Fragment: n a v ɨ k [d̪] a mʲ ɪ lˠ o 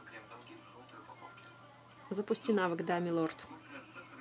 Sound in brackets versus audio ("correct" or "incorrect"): correct